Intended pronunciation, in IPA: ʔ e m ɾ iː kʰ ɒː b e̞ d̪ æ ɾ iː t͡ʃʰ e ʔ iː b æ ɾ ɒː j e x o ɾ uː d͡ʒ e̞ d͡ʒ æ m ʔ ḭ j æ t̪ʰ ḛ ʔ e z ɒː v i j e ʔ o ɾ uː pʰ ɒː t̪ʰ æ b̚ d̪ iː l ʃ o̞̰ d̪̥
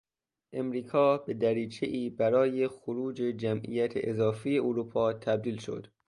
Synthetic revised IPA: ʔ e m ɾ iː kʰ ɒː b e̞ d̪ æ ɾ iː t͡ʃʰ e ʔ iː b æ ɾ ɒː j e x o ɾ uː d͡ʒ e̞ d͡ʒ æ m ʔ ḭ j æ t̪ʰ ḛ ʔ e z ɒː f i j e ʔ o ɾ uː pʰ ɒː t̪ʰ æ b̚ d̪ iː l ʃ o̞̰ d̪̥